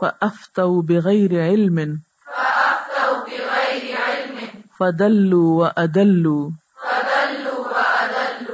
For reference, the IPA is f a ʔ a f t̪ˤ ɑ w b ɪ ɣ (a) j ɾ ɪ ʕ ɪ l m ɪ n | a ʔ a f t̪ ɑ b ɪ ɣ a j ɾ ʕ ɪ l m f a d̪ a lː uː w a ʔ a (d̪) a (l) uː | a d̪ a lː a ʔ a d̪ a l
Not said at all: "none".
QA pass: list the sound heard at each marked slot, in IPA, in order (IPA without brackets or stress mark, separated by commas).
a, d̪, lː